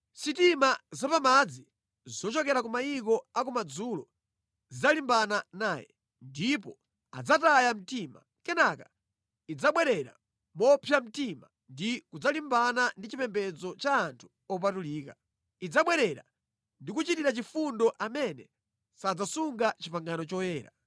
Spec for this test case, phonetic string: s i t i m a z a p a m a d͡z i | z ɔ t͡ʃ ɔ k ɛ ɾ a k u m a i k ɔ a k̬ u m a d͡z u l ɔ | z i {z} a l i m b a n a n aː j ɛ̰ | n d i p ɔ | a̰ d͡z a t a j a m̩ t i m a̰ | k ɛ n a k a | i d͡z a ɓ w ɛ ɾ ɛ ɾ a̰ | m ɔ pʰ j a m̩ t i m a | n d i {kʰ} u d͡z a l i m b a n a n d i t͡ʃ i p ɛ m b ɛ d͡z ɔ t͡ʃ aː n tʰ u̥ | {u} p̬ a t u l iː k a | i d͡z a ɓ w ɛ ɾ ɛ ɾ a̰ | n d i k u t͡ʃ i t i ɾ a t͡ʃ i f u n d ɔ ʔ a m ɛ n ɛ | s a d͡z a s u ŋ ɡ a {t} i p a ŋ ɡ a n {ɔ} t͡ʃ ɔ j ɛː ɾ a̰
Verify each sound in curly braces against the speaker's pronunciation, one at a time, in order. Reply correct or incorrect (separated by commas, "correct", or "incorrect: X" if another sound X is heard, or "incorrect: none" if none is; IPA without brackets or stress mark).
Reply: correct, incorrect: k, incorrect: ɔ, incorrect: t͡ʃ, correct